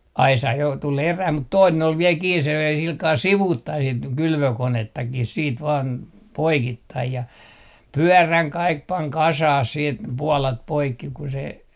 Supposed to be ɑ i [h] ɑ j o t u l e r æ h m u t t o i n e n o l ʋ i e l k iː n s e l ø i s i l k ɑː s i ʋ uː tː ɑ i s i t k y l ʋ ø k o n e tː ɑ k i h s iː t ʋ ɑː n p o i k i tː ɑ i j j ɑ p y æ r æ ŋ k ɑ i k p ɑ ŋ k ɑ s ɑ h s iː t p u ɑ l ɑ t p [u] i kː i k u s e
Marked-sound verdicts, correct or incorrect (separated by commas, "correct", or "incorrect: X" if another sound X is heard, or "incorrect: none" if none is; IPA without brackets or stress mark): incorrect: s, incorrect: o